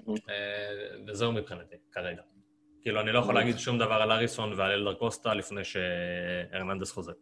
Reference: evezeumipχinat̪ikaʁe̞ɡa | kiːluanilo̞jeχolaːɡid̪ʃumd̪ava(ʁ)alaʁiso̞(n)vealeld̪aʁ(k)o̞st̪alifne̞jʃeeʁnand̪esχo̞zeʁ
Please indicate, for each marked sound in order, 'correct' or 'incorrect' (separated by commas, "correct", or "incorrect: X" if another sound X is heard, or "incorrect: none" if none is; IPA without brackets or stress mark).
correct, correct, correct